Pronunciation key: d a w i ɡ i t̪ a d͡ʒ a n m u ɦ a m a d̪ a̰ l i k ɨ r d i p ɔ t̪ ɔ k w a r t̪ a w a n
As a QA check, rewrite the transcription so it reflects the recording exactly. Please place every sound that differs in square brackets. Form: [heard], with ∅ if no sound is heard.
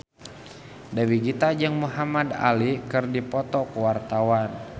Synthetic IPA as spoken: d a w i ɡ i t̪ a d͡ʒ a [ŋ] m u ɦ a m a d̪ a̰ l i k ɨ r d i p ɔ t̪ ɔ k w a r t̪ a w a n